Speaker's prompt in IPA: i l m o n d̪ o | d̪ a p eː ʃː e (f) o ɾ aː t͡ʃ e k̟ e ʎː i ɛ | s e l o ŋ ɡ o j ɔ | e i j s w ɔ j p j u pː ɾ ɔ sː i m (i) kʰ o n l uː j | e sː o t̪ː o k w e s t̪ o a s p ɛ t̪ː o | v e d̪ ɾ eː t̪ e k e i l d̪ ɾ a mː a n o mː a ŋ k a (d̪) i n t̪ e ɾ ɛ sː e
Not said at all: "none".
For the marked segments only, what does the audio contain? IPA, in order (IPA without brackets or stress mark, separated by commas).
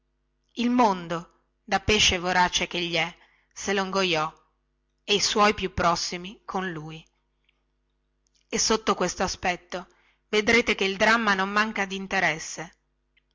v, i, d̪